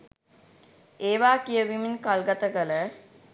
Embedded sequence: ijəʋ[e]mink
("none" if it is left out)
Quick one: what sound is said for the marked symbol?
i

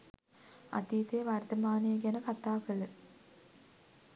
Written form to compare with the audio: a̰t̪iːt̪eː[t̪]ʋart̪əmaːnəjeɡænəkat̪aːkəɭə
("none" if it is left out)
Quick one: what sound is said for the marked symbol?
none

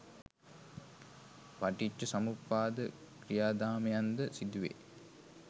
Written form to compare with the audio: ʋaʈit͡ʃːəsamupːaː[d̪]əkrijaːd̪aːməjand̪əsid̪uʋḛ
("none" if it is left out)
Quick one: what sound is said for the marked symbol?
d̪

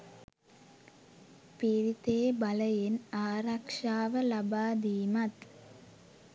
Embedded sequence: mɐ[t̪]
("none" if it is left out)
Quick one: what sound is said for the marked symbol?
t̪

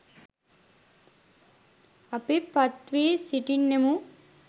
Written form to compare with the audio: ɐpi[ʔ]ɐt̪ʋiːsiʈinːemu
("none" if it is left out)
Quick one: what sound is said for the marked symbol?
p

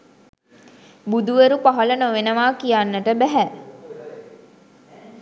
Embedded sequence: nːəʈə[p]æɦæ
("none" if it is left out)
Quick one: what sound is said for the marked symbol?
b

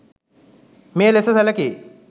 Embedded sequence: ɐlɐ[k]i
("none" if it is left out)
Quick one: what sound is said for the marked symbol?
k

